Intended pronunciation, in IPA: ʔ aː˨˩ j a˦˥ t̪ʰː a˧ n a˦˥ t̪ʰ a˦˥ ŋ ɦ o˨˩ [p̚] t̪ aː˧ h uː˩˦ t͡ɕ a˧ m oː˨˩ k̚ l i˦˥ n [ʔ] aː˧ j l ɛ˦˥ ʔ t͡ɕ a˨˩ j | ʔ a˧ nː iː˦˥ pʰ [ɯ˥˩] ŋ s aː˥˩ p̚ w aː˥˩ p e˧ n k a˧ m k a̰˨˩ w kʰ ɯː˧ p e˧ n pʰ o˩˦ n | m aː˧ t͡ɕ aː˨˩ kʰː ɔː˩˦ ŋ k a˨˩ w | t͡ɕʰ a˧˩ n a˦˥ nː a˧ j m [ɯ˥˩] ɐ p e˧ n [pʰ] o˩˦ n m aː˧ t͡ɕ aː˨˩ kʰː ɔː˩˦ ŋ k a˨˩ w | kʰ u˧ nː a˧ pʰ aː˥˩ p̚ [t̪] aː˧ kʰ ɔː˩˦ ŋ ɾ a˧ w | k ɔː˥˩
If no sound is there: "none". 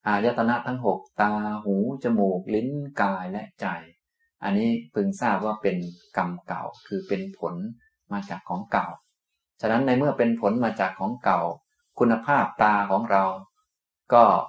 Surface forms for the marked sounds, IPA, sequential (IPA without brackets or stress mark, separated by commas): k̚, k, ɯ˧, ɯ˥˩, pʰ, t̪